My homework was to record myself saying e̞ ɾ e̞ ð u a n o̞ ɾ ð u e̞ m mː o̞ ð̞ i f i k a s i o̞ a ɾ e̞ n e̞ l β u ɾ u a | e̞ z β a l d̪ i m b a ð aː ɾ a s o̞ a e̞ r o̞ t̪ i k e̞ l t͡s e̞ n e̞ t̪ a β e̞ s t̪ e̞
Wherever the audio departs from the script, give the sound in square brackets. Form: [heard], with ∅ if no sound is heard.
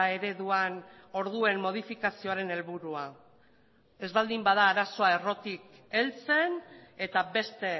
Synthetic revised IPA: e̞ ɾ e̞ ð u a n o̞ ɾ ð u e̞ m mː o̞ ð̞ i f i k a s i o̞ a ɾ e̞ n e̞ l β u ɾ u a | e̞ z β a l d̪ i m b a ð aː ɾ a s o̞ a e̞ r o̞ t̪ i k e̞ l t͡s e̞ n e̞ t̪ a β e̞ s t̪ e̞